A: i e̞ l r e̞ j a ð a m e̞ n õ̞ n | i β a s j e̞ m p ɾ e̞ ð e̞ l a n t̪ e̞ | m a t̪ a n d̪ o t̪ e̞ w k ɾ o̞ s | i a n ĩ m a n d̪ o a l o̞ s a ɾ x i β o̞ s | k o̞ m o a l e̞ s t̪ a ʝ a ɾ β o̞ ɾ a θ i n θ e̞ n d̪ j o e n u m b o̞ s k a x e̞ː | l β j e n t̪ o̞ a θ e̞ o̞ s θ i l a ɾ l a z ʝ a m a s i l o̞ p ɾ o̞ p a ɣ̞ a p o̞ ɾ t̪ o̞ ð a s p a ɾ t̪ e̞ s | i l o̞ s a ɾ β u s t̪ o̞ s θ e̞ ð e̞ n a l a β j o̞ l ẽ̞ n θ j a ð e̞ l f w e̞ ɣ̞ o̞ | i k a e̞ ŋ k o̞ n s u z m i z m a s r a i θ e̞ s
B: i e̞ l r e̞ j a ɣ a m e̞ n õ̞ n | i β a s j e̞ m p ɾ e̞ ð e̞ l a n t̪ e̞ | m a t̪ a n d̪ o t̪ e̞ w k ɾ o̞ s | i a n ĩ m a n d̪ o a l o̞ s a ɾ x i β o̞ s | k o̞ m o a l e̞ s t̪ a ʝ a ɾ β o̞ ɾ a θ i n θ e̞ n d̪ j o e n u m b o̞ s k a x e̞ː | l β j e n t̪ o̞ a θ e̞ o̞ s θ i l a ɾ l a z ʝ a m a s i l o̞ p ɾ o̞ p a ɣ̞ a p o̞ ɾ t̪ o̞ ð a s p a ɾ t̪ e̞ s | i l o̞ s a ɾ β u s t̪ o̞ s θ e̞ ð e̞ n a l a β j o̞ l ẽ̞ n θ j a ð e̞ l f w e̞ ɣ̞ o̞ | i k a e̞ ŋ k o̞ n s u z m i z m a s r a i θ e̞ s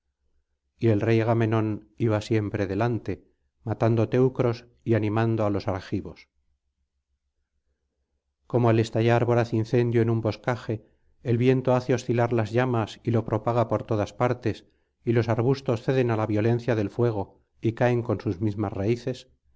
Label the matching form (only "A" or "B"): B